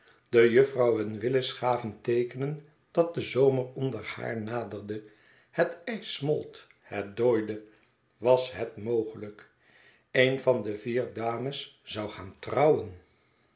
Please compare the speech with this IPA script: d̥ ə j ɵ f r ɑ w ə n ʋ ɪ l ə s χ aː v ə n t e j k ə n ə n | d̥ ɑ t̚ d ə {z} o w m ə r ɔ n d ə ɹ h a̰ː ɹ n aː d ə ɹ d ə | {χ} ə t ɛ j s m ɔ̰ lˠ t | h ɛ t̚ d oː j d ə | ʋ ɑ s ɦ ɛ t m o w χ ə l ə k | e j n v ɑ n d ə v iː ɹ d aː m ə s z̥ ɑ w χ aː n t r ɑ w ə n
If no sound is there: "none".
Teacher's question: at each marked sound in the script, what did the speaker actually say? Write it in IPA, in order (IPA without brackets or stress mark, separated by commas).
z, h